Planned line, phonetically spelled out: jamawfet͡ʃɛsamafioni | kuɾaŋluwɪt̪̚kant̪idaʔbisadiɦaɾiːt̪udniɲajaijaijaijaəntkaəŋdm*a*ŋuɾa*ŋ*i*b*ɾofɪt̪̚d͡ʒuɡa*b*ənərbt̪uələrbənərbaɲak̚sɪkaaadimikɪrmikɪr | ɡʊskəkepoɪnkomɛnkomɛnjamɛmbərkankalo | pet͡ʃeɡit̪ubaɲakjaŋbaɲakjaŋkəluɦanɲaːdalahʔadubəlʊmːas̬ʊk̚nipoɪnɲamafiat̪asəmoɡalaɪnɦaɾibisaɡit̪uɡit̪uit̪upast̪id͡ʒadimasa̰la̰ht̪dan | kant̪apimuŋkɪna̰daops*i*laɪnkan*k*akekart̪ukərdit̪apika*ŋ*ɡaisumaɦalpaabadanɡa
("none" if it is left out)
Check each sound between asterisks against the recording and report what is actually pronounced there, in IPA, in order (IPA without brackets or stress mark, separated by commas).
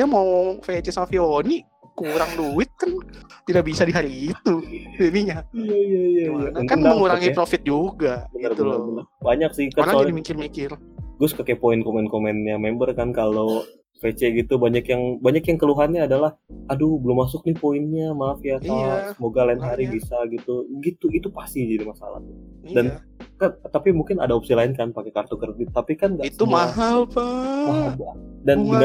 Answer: ə, ŋ, p, b, i, p, n